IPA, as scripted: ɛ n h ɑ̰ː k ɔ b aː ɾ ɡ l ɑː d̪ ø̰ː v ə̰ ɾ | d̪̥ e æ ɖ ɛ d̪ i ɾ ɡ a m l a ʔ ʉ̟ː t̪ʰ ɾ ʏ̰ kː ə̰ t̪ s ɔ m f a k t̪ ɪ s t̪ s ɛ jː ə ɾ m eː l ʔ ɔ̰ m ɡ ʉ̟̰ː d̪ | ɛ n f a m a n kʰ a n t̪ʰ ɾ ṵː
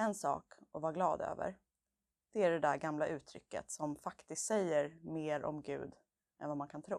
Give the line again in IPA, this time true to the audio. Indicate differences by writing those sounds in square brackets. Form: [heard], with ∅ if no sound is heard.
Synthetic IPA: ɛ n [s] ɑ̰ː k ɔ [v] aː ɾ ɡ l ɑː d̪ ø̰ː v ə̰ ɾ | d̪̥ [ɛ] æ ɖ ɛ d̪ [æ] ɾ ɡ a m l a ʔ ʉ̟ː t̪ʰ ɾ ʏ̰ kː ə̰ t̪ s ɔ m f a k t̪ ɪ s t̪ s ɛ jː ə ɾ m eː [ɾ] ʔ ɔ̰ m ɡ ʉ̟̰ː d̪ | ɛ n [v] a m a n kʰ a n t̪ʰ ɾ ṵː